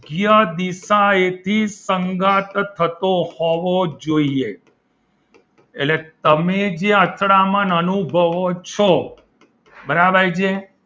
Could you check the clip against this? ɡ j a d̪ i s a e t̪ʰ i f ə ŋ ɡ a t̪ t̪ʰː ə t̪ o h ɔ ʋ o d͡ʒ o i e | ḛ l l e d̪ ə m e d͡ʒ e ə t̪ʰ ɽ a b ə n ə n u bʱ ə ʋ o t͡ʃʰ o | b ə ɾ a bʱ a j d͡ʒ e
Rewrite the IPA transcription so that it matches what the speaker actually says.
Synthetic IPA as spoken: ɡ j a d̪ i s a e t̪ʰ i s ə ŋ ɡ a t̪ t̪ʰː ə t̪ o h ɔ ʋ o d͡ʒ o i e | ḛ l l e t̪ ə m e d͡ʒ e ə t̪ʰ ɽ a m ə n ə n u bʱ ə ʋ o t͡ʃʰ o | b ə ɾ a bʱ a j d͡ʒ e